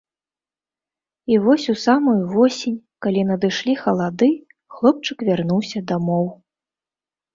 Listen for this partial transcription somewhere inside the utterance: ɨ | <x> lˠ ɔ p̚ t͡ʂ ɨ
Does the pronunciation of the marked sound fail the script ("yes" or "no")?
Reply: no